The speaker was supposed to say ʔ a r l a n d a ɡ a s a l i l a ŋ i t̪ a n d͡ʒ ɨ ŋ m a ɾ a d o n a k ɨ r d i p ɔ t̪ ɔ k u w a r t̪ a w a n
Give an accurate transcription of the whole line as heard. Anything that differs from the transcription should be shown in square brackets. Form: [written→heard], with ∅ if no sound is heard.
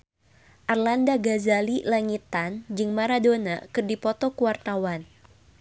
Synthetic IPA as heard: ʔ a r l a n d a ɡ a [s→z] a l i l a ŋ i t̪ a n d͡ʒ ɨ ŋ m a ɾ a d o n a k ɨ r d i p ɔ t̪ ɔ k u w a r t̪ a w a n